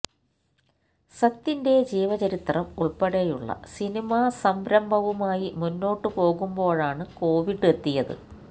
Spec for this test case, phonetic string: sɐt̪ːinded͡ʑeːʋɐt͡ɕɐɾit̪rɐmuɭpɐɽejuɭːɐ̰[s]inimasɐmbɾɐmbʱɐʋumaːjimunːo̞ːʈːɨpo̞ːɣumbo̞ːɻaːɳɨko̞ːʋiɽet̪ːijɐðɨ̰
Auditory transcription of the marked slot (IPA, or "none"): s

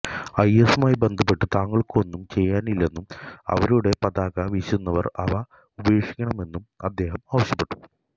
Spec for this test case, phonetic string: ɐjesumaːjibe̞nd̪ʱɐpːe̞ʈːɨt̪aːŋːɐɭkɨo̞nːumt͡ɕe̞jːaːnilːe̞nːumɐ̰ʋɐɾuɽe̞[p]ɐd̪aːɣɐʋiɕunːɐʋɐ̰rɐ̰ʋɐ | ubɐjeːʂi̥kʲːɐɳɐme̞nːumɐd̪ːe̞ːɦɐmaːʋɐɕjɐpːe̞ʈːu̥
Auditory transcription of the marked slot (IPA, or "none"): p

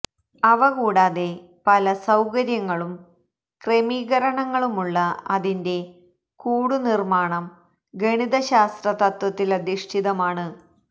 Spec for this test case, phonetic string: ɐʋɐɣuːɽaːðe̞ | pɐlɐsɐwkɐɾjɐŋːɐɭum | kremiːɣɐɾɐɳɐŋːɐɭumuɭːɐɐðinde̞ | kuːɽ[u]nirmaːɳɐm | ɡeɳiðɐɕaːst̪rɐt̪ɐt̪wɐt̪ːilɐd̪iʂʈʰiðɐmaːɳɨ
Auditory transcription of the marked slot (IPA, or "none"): u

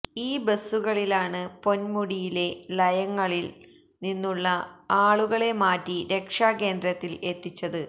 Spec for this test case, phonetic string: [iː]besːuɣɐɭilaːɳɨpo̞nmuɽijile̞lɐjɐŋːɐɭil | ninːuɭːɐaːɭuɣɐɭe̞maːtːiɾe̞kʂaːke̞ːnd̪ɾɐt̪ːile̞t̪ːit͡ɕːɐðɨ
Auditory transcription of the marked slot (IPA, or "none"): iː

